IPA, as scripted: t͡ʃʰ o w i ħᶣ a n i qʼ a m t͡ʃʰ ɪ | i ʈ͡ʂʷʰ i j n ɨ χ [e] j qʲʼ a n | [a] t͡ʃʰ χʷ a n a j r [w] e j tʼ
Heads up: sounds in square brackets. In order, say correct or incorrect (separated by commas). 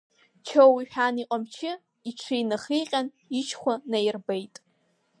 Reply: incorrect, incorrect, incorrect